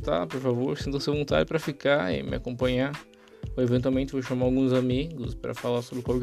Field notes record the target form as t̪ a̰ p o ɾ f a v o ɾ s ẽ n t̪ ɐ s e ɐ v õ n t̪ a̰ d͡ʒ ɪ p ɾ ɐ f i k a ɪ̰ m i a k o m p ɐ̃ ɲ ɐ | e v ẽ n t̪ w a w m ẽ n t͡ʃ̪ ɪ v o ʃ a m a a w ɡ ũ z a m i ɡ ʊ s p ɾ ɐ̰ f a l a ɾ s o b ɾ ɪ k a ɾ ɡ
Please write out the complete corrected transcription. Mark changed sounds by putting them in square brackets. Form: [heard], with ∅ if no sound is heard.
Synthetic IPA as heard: t̪ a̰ p o ɾ f a v o ɾ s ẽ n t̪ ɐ s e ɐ v õ n t̪ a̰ d͡ʒ ɪ p ɾ ɐ f i k a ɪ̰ m [ɪ] a k [õ] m p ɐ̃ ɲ [a] | e v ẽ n t̪ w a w m ẽ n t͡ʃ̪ ɪ v o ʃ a m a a w ɡ ũ z a m i ɡ ʊ s p ɾ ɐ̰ f a l a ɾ s o b ɾ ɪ k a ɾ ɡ